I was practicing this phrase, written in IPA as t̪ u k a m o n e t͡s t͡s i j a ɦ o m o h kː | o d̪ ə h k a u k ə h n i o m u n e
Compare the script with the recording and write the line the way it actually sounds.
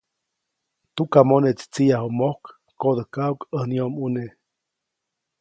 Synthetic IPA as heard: t̪ u k a m o n e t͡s t͡s i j a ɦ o m o h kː | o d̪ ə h k a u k ə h n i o m u n e

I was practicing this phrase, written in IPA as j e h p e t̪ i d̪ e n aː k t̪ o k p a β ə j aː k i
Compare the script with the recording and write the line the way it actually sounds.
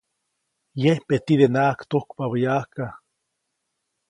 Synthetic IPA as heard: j e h p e t̪ i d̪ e n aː k t̪ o k p a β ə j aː k a

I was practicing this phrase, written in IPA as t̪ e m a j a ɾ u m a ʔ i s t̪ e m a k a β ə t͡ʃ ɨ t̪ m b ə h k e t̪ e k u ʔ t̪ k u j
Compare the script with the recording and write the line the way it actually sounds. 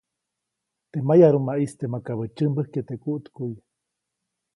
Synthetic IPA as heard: t̪ e m a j a ɾ u m a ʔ i s t̪ e m a k a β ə t͡ʃ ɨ m b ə h k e t̪ e k u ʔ t̪ k u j

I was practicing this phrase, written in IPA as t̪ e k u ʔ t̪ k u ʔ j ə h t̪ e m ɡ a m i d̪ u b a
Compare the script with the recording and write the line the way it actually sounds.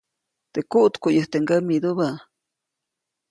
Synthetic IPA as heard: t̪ e k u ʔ t̪ k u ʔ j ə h t̪ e ŋ ɡ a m i d̪ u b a

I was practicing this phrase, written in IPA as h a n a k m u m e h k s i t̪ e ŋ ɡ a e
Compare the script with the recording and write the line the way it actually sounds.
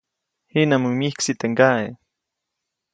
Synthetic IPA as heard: h i n a m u m i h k s i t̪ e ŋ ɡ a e

